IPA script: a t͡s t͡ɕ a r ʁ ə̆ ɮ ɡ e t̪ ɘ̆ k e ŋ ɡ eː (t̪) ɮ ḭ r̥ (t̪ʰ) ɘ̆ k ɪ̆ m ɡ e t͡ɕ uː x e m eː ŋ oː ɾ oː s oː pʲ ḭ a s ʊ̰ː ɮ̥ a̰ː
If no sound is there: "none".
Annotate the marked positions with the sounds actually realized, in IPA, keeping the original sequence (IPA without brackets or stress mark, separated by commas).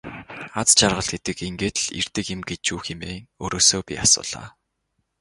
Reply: t̪, t̪